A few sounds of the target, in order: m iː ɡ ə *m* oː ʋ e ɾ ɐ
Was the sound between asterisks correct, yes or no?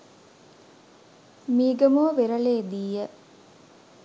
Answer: yes